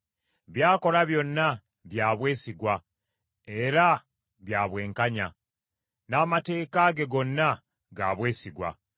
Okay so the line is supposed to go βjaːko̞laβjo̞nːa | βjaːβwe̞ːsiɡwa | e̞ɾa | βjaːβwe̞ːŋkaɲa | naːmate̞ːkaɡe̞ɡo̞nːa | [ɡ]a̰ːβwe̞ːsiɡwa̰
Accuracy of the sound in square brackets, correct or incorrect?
correct